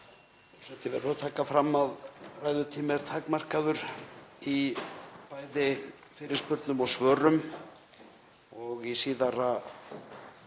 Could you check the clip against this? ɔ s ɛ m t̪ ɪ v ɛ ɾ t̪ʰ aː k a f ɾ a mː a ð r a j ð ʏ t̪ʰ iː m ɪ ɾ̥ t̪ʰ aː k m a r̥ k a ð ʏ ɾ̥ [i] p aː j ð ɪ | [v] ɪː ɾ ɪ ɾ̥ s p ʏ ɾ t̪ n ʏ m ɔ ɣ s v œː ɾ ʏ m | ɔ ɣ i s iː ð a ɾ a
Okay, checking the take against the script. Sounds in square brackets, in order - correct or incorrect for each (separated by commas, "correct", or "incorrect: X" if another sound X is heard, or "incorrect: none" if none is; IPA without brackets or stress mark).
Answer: correct, incorrect: f